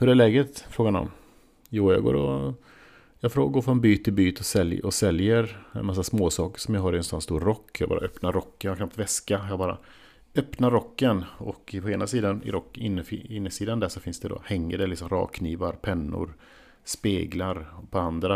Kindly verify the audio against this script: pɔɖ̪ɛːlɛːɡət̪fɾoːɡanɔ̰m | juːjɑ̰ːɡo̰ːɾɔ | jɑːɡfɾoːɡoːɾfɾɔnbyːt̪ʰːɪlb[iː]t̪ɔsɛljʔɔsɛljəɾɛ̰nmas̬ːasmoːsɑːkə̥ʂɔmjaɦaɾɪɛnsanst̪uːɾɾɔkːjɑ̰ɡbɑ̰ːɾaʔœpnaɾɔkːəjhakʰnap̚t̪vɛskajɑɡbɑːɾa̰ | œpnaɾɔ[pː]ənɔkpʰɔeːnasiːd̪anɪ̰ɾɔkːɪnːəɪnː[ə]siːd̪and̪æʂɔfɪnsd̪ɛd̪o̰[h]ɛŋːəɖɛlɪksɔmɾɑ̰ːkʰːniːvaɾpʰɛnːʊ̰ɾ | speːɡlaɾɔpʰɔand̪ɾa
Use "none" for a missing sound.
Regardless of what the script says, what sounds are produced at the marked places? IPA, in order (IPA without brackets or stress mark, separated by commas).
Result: yː, kː, ə, h